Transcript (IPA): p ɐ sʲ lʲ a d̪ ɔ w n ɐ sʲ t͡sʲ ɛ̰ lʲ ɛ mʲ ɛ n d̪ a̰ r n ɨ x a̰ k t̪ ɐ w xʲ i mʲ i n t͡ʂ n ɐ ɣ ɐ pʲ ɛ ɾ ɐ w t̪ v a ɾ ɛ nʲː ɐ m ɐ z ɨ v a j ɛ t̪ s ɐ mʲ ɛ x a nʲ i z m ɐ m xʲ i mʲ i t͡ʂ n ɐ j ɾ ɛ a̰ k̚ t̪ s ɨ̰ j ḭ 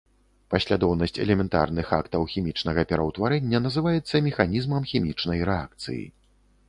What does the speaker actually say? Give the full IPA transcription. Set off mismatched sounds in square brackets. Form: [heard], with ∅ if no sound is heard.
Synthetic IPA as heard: p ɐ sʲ lʲ a d̪ ɔ w n ɐ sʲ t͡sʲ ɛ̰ lʲ ɛ mʲ ɛ n [t̪] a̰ r n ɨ x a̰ k t̪ ɐ w xʲ i mʲ i [∅] t͡ʂ n ɐ ɣ ɐ pʲ ɛ ɾ ɐ w t̪ v a ɾ ɛ nʲː ɐ [n] ɐ z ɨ v a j ɛ t̪ [sː] ɐ mʲ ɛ x a nʲ i z m ɐ m xʲ i mʲ i t͡ʂ n ɐ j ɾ ɛ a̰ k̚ t̪ s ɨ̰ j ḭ